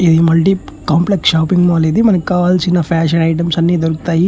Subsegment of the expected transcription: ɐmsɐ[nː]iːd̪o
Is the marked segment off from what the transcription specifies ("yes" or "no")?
no